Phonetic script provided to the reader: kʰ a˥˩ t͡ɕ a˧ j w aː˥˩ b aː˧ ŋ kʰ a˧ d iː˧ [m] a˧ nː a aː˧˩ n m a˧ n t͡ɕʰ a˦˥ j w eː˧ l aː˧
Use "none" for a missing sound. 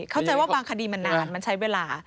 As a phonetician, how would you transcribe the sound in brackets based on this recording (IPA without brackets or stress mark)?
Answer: m